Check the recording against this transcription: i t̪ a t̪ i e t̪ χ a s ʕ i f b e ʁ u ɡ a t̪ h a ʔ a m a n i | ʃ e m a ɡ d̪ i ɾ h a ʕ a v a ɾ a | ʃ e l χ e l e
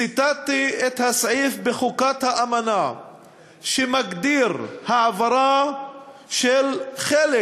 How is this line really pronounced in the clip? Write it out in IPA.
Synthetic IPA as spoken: i t̪ a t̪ i e t̪ h a s ʕ i f b e χ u k a t̪ h a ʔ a m a n a | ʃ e m a ɡ d̪ i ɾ h a ʕ a v a ɾ a | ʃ e l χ e l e